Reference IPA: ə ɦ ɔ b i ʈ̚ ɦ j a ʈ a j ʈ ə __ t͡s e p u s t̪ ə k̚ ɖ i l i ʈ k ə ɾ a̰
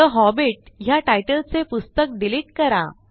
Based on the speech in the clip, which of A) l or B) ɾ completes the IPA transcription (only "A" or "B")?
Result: A